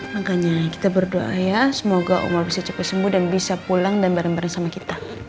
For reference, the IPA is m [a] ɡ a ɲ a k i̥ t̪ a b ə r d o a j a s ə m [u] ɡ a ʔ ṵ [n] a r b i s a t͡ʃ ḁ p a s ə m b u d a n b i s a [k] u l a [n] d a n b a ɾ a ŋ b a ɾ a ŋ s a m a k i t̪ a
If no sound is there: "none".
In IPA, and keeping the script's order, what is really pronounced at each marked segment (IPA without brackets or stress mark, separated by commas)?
a, o, m, p, ŋ